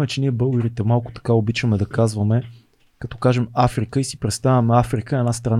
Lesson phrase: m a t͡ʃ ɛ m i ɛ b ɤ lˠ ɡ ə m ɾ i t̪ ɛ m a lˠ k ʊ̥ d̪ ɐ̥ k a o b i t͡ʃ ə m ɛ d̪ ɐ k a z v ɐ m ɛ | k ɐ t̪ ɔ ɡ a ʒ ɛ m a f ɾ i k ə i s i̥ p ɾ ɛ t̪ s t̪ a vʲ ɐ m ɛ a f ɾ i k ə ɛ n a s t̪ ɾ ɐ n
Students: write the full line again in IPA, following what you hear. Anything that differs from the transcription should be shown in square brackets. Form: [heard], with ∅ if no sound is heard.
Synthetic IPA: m [ɛ] t͡ʃ ɛ [n] i ɛ b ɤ lˠ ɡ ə [∅] ɾ i t̪ ɛ m a lˠ k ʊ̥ [t̪] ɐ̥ k a o b i t͡ʃ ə m ɛ d̪ ɐ k a z v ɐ m ɛ | k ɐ t̪ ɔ [k] a ʒ ɛ m a f ɾ i k ə i s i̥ p ɾ ɛ t̪ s t̪ a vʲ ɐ m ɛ a f ɾ i k ə ɛ n a s t̪ ɾ ɐ n